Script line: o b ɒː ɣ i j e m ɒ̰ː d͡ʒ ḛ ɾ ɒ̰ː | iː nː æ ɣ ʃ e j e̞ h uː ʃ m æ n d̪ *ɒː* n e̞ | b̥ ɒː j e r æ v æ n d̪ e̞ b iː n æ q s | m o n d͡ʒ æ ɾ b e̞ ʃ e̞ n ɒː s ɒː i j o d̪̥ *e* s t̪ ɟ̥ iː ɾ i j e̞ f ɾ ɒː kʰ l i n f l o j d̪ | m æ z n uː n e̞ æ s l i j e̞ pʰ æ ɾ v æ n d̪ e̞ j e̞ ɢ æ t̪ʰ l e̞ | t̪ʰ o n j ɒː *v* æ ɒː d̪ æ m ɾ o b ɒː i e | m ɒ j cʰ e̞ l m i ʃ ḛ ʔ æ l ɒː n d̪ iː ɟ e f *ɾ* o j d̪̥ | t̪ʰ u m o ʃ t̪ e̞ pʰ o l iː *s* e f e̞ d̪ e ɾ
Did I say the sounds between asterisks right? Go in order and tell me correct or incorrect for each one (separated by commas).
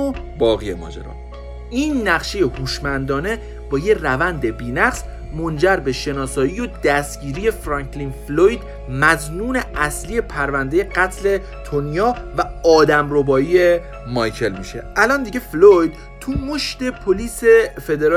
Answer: correct, incorrect, correct, incorrect, correct